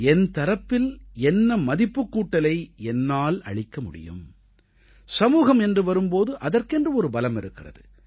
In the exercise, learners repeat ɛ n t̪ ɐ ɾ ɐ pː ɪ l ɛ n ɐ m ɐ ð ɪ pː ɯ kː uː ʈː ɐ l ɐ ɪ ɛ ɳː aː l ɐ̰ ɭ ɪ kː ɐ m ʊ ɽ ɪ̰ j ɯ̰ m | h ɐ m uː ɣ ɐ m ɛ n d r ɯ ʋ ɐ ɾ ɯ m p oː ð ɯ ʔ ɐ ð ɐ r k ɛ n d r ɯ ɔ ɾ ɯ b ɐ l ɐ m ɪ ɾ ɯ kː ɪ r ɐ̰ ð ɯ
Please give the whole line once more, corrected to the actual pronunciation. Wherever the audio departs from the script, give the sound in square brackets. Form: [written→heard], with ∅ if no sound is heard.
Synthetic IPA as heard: ɛ n t̪ ɐ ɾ ɐ pː ɪ l ɛ [n→nː] ɐ m ɐ ð ɪ pː ɯ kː uː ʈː ɐ l ɐ ɪ ɛ [ɳː→nː] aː l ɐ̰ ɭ ɪ kː ɐ m ʊ ɽ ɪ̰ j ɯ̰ m | [h→s] ɐ m uː ɣ ɐ m ɛ n d r ɯ ʋ ɐ ɾ ɯ m p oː ð ɯ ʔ ɐ ð ɐ r k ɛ n d r ɯ ɔ ɾ ɯ b ɐ l ɐ m ɪ ɾ ɯ kː ɪ r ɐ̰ ð ɯ